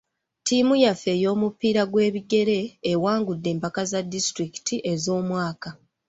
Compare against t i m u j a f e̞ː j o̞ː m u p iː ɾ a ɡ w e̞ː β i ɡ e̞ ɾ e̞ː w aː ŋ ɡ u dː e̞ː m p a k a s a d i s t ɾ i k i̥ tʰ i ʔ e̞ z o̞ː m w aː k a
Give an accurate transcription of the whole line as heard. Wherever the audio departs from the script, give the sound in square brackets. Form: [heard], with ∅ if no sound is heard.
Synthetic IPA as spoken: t i m u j a f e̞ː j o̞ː m u p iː ɾ a ɡ w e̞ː β i ɡ e̞ ɾ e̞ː w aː ŋ ɡ u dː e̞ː m p a k a [z] a d i s t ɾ i k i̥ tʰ i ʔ e̞ z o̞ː m w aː k a